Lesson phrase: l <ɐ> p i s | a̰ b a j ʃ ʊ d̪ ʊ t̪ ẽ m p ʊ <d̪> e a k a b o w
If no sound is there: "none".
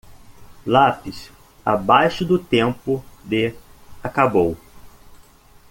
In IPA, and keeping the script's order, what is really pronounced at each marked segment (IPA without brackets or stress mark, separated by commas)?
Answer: a, d̪